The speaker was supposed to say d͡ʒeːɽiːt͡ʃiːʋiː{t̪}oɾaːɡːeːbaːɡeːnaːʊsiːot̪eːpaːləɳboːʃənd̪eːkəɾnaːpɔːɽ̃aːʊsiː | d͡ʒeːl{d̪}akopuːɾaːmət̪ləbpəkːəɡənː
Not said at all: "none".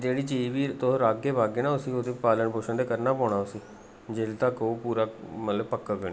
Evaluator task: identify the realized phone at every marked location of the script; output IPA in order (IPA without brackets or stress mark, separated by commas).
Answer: t̪, t̪